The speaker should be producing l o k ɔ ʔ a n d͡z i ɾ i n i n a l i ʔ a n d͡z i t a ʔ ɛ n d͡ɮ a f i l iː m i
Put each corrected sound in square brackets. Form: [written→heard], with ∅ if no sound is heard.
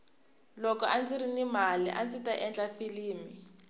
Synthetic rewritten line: l [o→ɔ] k ɔ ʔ a n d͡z i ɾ i n i [n→m] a l i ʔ a n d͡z i t a ʔ ɛ n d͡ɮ a f i l iː m i